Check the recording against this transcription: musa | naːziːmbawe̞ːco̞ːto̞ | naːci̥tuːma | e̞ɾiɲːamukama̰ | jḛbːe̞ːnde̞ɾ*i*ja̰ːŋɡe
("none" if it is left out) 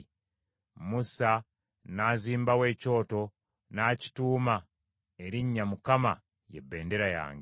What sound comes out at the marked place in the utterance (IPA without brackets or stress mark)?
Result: a